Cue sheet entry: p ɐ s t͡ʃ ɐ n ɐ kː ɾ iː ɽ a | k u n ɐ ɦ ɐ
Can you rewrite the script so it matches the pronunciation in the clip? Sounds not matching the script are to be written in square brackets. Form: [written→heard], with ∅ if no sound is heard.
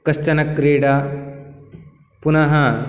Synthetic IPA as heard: [p→k] ɐ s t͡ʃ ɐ n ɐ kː ɾ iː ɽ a | [k→p] u n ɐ ɦ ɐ